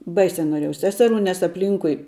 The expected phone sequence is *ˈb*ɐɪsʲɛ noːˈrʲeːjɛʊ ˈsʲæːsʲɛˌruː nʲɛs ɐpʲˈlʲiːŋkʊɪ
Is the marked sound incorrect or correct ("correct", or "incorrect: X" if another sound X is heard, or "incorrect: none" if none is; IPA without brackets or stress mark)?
correct